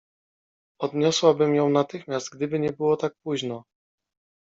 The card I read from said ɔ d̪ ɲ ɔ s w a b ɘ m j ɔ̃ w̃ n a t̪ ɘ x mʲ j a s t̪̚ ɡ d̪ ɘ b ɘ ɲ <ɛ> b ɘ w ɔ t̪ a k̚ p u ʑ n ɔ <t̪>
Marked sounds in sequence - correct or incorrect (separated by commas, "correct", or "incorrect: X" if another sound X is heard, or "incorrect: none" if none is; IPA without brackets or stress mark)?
correct, incorrect: none